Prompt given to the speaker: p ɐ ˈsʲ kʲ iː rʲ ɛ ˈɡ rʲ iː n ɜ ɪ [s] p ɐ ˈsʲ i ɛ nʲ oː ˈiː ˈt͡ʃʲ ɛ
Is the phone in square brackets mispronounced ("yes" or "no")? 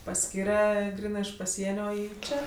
yes